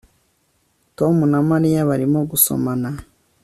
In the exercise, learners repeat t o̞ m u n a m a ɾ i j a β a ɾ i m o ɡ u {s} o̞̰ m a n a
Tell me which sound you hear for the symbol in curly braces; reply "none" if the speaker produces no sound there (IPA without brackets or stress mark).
s